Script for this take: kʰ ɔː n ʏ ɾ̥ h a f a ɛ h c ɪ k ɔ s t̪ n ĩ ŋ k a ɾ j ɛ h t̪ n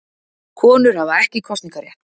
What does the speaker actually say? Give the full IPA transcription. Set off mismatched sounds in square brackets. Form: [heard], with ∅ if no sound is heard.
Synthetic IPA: kʰ ɔː n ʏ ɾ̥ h a [v] a ɛ h c ɪ [kʰ] ɔ s t̪ n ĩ ŋ k a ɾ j ɛ h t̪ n

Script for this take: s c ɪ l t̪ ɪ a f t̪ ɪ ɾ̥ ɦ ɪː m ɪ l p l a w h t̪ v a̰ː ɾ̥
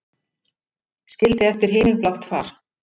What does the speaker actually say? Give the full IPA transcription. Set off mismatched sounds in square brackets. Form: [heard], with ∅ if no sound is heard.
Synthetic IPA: s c ɪ l t̪ ɪ [ɛ] f t̪ ɪ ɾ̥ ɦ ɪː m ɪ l p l a w h t̪ [f] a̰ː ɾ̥

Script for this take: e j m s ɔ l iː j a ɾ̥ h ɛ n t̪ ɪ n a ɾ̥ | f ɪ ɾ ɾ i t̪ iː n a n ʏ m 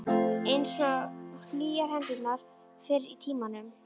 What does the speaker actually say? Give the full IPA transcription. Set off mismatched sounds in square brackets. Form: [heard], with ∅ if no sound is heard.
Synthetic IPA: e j [n] s ɔ l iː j a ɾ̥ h ɛ n t̪ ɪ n a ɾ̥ | f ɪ ɾ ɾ i [t̪ʰ] iː [m] a n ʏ m

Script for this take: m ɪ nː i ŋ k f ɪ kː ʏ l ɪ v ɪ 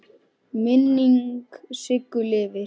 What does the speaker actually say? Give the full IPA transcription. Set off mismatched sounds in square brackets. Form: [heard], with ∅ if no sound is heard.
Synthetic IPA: m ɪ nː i ŋ k [s] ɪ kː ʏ l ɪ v ɪ

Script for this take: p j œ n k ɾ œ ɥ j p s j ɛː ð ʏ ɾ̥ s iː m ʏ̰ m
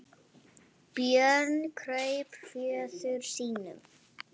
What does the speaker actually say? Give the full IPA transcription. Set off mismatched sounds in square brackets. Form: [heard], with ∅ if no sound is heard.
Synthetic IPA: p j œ n [kʰ] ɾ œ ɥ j p [f] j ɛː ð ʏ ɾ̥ s iː [n] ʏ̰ m

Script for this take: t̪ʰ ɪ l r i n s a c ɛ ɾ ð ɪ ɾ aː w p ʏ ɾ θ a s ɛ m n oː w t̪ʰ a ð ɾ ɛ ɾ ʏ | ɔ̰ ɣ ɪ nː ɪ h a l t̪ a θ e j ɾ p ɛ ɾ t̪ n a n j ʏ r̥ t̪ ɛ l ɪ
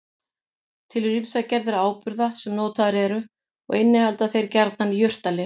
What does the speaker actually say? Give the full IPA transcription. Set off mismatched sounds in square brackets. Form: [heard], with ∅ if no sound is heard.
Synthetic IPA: t̪ʰ ɪ l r i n s a c ɛ ɾ ð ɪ ɾ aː w p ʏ ɾ [ð] a s ɛ m n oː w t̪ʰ a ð ɾ ɛ ɾ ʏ | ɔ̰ ɣ ɪ nː ɪ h a l t̪ a θ e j ɾ [c] ɛ ɾ t̪ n a n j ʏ r̥ t̪ [a] l ɪ

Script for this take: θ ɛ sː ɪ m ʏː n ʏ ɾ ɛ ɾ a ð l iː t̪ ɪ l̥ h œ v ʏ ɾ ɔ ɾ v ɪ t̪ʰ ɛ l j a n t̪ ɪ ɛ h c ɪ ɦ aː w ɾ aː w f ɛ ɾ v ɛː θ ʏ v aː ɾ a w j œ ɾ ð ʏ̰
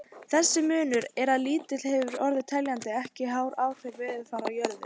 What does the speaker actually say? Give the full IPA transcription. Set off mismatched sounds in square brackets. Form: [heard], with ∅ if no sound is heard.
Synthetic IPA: θ ɛ sː ɪ m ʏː n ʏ ɾ ɛ ɾ a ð l iː t̪ ɪ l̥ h [ɛ] v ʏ ɾ ɔ ɾ [ð] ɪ t̪ʰ ɛ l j a n t̪ ɪ ɛ h c ɪ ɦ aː w ɾ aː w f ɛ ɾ v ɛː [ð] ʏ [f] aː ɾ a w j œ ɾ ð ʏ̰

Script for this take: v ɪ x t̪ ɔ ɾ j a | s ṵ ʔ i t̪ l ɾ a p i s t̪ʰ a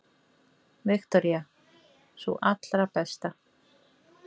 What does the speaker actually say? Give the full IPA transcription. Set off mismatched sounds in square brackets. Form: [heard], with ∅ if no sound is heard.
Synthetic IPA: v ɪ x t̪ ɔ ɾ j a | s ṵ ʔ [a] t̪ l ɾ a p [ɛ] s [t̪] a

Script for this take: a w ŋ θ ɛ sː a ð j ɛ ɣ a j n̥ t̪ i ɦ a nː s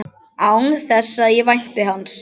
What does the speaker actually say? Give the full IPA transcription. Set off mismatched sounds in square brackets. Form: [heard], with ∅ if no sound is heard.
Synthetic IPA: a w ŋ θ ɛ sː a ð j ɛ [v] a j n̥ t̪ [ɪ] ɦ a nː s

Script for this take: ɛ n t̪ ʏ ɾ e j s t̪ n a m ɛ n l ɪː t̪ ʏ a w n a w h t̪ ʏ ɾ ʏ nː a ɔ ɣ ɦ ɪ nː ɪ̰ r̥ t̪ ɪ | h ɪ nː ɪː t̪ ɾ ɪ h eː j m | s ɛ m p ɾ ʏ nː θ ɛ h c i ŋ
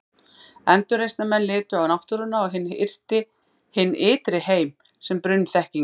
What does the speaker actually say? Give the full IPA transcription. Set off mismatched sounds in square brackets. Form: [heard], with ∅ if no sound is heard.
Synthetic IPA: ɛ n t̪ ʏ ɾ e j s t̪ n a m ɛ n l ɪː t̪ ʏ a w n a w h t̪ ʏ ɾ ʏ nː a ɔ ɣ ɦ ɪ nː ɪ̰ r̥ t̪ ɪ | h ɪ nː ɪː t̪ ɾ ɪ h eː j m | s ɛ m p ɾ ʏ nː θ ɛ h c i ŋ

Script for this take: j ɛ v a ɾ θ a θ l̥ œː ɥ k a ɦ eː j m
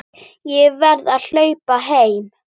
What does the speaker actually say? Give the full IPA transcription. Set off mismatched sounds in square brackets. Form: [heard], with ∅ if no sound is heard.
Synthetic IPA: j ɛ v [ɛ] ɾ [ð] a [ð] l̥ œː ɥ [p] a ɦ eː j m

